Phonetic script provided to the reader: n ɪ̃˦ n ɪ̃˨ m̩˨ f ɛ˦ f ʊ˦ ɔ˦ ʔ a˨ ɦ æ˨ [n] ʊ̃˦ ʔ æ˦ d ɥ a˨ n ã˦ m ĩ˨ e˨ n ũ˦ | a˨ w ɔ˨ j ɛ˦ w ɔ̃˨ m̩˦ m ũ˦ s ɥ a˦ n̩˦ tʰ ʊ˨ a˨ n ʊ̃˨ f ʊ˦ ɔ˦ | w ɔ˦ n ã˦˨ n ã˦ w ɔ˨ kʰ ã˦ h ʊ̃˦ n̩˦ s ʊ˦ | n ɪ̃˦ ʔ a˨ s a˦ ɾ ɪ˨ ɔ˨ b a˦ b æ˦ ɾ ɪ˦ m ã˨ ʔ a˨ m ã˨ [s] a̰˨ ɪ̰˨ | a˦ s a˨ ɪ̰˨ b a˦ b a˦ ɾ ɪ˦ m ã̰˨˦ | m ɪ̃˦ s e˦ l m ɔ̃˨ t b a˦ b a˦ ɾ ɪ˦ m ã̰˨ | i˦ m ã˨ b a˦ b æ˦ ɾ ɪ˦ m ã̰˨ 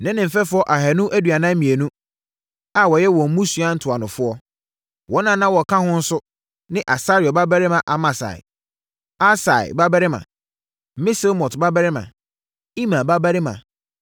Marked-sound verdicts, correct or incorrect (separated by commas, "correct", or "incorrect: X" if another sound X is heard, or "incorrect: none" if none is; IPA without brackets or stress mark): correct, correct